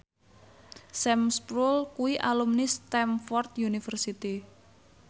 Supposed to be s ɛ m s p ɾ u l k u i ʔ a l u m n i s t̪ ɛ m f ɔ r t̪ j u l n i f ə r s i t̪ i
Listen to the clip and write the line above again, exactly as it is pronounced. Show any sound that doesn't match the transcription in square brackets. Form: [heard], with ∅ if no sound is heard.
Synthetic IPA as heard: s ɛ m s p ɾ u l k u i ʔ a l u m n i s t̪ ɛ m f ɔ r t̪ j u [∅] n i f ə r s i t̪ i